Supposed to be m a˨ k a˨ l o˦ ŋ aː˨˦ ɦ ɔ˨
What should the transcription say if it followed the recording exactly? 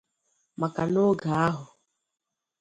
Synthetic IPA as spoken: m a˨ k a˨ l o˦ ɡ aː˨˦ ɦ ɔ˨